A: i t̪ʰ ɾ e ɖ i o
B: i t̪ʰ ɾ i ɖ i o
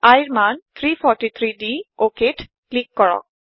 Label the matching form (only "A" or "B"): B